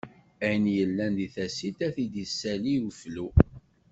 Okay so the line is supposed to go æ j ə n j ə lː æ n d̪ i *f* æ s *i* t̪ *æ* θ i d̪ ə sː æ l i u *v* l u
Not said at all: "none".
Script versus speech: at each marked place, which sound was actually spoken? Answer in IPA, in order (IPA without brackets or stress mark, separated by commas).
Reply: θ, i, æ, f